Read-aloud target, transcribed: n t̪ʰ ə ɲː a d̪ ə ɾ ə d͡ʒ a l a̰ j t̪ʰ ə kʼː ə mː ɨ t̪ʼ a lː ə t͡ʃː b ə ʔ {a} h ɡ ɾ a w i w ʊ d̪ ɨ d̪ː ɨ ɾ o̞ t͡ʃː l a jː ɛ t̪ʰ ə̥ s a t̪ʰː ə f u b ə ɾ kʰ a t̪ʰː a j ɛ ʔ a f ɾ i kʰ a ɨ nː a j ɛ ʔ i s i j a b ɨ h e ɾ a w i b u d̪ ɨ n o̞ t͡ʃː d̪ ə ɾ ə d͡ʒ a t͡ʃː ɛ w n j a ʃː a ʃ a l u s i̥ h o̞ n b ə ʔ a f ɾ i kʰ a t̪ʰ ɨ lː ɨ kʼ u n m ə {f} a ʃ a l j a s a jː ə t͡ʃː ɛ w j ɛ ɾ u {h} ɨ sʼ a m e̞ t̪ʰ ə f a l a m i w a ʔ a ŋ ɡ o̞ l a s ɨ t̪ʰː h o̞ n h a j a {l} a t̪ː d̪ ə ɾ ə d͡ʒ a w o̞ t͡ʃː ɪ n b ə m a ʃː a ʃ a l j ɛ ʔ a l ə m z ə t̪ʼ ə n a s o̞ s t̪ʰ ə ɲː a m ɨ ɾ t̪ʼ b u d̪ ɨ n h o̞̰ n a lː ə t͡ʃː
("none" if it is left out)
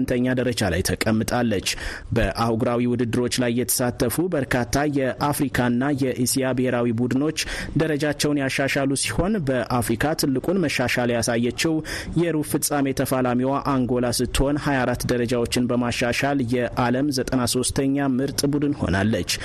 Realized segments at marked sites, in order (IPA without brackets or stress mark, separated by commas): a, ʃ, f, ɾ